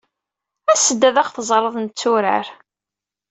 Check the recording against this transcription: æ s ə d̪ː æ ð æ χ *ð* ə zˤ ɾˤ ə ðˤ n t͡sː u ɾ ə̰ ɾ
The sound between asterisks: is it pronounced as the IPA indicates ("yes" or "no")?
no